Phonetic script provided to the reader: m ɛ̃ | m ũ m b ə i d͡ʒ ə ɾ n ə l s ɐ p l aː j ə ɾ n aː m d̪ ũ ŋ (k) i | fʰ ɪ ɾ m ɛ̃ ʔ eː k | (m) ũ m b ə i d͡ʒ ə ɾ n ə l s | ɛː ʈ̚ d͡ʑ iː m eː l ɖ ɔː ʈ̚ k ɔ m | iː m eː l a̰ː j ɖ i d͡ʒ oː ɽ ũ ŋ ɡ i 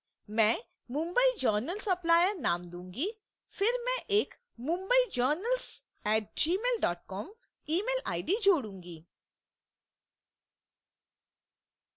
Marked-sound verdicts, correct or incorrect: incorrect: ɡ, correct

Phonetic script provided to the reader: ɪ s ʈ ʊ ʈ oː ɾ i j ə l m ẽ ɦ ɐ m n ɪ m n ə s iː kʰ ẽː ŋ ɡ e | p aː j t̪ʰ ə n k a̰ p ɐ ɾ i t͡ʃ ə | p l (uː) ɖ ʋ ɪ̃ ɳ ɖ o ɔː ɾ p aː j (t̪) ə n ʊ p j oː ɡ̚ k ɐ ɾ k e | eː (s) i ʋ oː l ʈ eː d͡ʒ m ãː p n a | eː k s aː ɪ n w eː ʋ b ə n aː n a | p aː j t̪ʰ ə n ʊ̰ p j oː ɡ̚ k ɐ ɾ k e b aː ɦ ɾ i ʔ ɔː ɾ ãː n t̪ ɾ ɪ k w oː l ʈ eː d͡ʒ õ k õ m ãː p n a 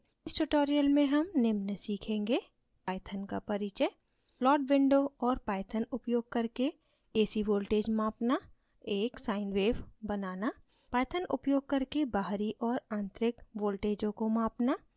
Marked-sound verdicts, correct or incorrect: incorrect: ɔː, incorrect: t̪ʰ, correct

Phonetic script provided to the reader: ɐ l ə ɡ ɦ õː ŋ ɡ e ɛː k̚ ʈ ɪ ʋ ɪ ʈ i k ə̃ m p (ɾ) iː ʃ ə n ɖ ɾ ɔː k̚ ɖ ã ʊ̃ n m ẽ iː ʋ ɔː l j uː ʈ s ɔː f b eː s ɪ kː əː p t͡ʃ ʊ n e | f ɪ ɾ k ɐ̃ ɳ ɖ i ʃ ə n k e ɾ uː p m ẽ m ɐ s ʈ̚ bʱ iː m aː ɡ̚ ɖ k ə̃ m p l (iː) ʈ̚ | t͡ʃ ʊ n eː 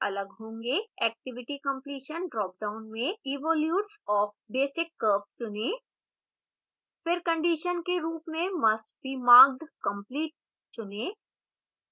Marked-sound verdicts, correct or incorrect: incorrect: l, correct

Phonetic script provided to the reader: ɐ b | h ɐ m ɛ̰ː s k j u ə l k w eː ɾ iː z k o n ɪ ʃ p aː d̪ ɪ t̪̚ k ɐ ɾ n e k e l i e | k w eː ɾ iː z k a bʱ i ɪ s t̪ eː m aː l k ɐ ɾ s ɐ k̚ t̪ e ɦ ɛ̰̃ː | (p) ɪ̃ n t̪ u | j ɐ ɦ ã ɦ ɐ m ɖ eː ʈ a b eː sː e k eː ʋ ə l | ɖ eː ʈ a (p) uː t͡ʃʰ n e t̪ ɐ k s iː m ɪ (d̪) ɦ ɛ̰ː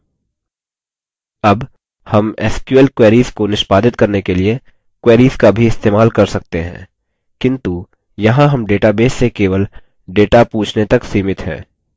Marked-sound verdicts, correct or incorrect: incorrect: k, correct, incorrect: t̪

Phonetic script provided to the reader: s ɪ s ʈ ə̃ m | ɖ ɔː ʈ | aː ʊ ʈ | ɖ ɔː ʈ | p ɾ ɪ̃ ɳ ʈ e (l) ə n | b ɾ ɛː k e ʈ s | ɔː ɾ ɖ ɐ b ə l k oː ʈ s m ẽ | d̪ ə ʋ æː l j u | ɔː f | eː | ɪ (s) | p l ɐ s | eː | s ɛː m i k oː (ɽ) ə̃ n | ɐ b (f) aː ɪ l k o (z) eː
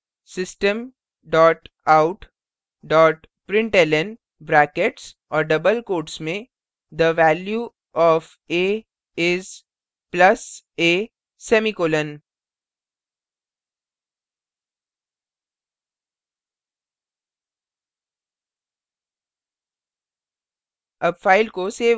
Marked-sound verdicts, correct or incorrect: correct, incorrect: z, incorrect: l, correct, incorrect: s

